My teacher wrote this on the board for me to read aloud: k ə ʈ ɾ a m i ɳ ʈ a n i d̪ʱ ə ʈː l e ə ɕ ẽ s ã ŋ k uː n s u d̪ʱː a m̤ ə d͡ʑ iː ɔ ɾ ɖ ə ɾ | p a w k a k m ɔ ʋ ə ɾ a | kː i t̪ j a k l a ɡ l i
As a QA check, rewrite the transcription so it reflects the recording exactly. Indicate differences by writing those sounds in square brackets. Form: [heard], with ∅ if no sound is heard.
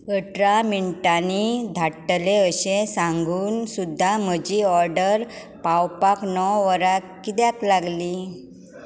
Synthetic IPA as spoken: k ə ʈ ɾ a m i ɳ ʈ a n i d̪ʱ [a] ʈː l e ə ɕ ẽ s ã ŋ [ɡ] uː n s u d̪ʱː a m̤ ə d͡ʑ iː ɔ ɾ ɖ ə ɾ | p a w [p] a k [n] ɔ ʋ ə ɾ a | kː i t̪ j a k l a ɡ l i